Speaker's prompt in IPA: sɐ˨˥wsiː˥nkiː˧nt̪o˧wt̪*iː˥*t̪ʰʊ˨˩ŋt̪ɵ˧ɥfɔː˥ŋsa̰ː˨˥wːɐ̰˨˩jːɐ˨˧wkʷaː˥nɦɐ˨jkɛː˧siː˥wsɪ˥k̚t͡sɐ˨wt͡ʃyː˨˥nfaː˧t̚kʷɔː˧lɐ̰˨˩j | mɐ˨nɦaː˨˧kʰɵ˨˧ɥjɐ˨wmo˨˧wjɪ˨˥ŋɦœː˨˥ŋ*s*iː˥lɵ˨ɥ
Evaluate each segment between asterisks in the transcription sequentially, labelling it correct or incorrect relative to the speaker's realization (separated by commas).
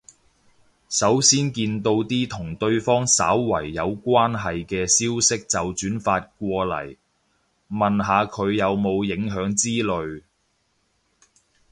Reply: correct, incorrect